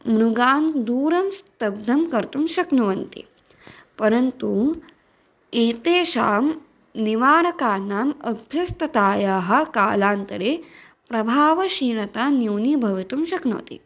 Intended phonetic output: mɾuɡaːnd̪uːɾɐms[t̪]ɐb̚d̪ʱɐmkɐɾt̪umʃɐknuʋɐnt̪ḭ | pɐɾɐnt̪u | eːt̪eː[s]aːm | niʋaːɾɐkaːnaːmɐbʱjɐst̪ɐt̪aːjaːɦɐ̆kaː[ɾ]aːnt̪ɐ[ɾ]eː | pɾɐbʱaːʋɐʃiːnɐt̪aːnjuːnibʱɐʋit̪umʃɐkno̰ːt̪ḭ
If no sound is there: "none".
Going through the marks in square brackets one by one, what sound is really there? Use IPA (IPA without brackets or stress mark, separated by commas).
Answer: t̪, ʃ, l, ɾ